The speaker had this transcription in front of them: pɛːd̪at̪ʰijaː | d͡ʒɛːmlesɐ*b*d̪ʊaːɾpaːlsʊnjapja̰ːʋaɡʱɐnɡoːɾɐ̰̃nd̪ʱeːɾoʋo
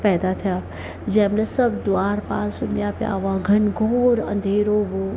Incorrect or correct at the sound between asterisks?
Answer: correct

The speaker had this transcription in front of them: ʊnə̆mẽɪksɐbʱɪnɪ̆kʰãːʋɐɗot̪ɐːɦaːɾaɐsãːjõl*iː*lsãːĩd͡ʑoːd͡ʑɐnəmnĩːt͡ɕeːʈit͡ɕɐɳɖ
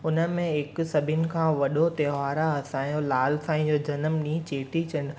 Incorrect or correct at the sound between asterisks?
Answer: incorrect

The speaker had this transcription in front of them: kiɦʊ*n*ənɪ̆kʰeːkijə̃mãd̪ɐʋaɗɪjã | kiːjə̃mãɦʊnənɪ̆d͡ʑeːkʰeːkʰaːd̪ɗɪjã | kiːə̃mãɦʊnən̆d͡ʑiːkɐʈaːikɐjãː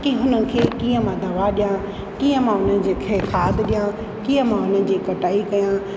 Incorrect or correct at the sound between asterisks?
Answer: correct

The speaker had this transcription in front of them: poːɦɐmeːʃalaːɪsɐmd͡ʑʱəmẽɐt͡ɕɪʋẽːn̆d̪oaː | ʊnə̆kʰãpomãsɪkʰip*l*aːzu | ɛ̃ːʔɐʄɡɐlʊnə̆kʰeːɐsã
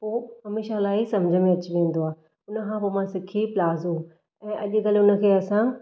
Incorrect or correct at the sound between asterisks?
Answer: correct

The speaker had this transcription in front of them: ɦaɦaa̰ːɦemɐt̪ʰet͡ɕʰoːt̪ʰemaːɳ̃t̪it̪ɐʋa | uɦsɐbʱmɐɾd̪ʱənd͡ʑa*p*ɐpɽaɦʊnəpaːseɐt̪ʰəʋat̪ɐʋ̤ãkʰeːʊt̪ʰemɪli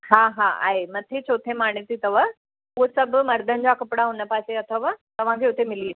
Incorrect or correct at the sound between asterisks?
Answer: incorrect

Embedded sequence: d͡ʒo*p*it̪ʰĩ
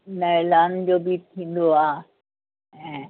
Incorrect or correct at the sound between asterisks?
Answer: incorrect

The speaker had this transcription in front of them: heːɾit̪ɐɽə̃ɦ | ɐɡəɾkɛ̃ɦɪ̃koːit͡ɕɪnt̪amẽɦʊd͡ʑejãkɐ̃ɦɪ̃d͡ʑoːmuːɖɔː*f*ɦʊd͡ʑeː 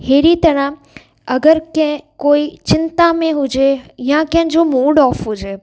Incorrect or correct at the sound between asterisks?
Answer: correct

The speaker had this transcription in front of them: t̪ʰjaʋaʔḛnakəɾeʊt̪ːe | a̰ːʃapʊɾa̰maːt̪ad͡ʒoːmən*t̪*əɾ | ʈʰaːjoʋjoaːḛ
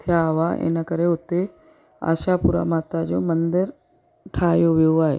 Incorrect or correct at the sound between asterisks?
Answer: incorrect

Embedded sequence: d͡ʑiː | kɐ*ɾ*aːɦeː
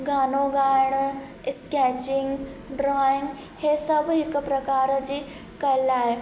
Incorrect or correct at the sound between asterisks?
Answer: incorrect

